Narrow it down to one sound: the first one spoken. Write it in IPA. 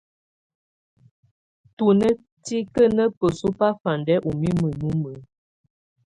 t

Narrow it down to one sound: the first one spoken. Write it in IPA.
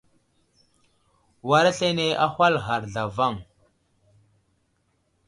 w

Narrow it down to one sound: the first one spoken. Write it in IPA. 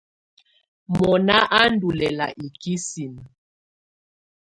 m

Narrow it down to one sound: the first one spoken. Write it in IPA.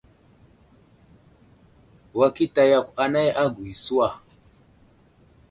w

